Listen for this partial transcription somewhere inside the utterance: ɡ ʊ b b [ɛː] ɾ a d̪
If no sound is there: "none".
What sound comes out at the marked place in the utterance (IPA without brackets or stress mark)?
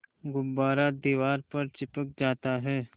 aː